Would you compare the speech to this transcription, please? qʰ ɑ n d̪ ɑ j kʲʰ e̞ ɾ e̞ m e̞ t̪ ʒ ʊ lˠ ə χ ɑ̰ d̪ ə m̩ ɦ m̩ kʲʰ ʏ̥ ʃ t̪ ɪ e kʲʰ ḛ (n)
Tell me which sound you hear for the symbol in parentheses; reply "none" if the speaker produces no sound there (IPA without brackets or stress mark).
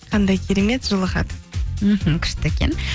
n